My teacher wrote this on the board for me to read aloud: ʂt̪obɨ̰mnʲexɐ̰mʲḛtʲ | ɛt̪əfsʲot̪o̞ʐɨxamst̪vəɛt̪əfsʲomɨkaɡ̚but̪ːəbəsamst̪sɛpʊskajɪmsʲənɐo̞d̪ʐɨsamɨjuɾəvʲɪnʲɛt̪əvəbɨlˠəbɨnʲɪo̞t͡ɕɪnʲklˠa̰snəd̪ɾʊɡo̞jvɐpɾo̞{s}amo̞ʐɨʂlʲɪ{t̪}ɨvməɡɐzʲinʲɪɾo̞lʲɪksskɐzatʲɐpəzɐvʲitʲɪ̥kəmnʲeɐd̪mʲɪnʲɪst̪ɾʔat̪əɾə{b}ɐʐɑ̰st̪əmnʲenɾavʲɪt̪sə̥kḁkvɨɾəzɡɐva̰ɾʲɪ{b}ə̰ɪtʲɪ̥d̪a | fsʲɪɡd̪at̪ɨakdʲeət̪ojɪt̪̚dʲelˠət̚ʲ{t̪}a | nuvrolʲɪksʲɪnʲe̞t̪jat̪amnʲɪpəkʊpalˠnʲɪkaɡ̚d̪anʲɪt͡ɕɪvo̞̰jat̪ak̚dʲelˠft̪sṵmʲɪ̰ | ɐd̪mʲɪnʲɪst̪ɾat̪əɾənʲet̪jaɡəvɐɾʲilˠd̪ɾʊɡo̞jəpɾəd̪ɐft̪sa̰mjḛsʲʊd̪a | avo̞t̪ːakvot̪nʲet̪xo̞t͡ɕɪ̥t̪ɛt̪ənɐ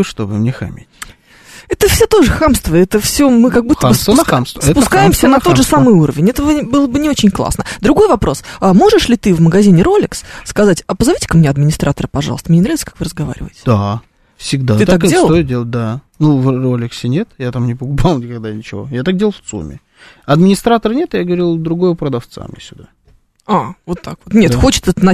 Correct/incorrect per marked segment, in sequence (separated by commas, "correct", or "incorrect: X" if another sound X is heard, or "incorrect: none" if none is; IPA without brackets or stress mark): correct, correct, incorrect: p, incorrect: v, incorrect: d̪